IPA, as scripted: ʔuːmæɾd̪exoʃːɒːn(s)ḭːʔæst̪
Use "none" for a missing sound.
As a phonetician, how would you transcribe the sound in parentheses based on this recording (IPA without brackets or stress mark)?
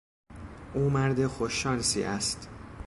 s